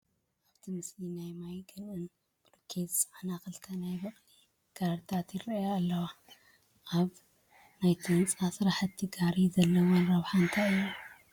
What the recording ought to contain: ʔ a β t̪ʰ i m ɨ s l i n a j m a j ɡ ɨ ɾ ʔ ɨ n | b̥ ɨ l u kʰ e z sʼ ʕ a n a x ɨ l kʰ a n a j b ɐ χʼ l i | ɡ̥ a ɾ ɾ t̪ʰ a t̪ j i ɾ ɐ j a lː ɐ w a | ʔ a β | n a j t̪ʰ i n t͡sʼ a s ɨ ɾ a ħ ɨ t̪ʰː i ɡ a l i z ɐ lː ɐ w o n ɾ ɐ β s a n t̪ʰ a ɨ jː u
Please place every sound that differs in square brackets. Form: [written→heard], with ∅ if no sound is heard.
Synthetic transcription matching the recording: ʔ a β t̪ʰ i m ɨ s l i n a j m a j ɡ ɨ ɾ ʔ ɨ n | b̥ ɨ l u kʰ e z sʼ ʕ a n a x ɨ l kʰ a n a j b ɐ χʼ l i | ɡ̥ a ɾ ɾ t̪ʰ a t̪ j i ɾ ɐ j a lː ɐ w a | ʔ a β | n a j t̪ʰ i n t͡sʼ a s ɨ ɾ a ħ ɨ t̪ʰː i ɡ a [l→ɾ] i z ɐ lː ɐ w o n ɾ ɐ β [s→ħ] a n t̪ʰ a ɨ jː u